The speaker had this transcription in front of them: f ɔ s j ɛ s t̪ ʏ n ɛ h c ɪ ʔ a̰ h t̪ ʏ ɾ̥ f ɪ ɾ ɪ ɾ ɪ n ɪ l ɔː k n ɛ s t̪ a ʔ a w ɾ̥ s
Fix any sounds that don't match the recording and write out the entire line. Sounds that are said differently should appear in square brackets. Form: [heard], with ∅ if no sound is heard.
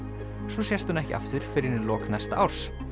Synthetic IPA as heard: [s] ɔ s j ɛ s t̪ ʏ n ɛ h c ɪ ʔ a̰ [f] t̪ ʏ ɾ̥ f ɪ ɾ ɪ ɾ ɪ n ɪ l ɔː k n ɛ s t̪ a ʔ a w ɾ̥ s